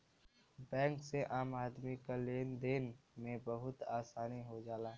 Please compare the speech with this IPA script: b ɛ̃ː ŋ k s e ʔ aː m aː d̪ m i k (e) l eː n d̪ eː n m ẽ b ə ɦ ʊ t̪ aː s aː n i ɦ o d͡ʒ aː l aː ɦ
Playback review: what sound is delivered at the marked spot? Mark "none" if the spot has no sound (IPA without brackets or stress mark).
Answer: a